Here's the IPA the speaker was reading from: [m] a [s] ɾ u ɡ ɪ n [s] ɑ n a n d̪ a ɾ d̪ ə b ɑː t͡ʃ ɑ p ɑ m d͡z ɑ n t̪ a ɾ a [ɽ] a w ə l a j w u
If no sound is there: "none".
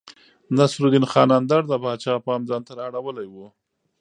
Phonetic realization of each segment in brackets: n, s, x, ɽ

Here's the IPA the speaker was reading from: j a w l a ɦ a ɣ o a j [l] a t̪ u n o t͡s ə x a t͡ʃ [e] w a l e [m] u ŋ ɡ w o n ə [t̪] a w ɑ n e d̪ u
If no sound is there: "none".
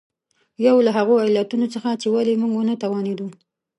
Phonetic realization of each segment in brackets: l, e, m, t̪

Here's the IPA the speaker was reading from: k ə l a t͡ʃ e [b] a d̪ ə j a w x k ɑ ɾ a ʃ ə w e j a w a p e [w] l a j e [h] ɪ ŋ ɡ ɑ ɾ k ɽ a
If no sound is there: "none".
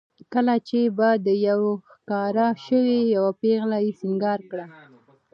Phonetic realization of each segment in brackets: b, ɣ, s

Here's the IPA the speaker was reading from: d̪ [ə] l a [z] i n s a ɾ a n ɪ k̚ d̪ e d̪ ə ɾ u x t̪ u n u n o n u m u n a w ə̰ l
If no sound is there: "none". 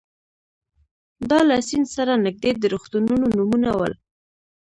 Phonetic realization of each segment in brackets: ɑ, s

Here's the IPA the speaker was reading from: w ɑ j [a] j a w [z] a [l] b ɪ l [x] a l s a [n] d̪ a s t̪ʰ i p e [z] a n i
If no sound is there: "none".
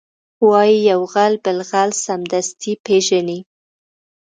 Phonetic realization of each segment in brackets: i, ɣ, l, ɣ, m, ʒ

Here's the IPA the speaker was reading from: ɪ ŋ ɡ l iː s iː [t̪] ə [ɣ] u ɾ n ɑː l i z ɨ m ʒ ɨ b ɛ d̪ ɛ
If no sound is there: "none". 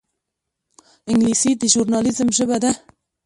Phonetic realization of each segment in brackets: d̪, ʒ

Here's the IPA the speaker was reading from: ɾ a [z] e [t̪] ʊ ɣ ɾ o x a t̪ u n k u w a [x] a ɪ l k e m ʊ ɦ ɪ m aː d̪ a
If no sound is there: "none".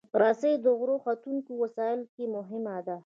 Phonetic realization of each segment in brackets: s, d̪, s

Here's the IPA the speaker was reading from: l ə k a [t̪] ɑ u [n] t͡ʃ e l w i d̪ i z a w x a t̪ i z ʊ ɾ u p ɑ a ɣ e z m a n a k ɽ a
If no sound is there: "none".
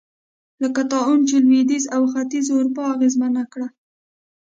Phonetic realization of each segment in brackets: t̪, n

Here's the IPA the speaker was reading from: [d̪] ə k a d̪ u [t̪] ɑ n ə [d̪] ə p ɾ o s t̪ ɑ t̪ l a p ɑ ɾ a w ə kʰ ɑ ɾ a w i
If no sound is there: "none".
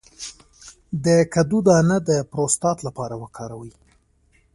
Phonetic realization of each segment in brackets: d̪, d̪, d̪

